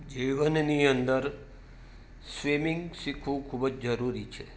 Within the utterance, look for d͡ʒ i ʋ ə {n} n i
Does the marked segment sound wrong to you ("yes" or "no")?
no